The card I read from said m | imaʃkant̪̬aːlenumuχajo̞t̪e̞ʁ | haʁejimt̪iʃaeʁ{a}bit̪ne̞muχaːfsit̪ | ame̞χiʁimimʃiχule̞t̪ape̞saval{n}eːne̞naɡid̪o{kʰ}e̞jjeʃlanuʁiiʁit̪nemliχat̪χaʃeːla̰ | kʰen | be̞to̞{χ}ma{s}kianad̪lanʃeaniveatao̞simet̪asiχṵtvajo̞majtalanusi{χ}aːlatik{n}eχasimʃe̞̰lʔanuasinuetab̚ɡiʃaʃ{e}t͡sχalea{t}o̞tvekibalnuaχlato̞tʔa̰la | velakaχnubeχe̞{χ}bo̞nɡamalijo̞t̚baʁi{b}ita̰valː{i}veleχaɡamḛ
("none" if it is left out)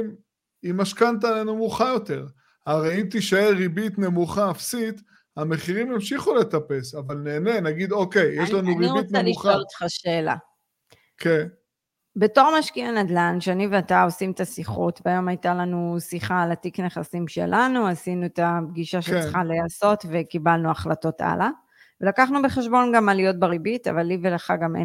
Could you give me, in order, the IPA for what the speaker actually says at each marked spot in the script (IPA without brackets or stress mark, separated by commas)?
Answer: i, n, k, ʁ, ʃ, χ, n, e, s, ʃ, b, i